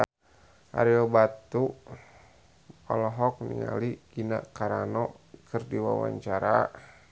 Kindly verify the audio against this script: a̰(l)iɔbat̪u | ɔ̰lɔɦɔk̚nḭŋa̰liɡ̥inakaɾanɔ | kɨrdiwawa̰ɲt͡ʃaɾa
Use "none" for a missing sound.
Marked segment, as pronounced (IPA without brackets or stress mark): ɾ